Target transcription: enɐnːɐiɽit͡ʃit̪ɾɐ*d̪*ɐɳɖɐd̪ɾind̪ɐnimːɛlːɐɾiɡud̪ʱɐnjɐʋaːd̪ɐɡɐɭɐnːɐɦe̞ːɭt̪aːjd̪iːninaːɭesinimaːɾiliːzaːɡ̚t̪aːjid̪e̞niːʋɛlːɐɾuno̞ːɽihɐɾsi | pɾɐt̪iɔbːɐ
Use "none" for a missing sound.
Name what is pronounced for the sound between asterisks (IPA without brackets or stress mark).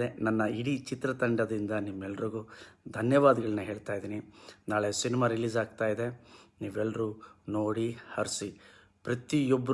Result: t̪